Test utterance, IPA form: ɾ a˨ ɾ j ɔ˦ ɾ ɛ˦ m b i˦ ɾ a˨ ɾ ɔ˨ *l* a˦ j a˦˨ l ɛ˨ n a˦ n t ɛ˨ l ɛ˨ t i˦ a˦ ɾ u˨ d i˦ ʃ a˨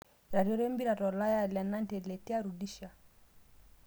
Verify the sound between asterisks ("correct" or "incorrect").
correct